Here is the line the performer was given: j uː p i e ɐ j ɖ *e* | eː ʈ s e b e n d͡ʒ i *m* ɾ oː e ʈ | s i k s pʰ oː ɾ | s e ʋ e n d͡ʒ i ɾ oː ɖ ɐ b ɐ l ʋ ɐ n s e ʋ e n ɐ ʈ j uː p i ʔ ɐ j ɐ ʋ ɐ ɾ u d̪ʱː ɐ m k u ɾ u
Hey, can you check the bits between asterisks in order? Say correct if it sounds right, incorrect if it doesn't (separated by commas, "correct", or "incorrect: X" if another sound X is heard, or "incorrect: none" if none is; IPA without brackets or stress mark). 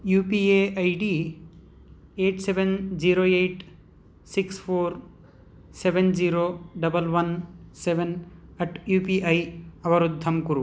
incorrect: i, incorrect: none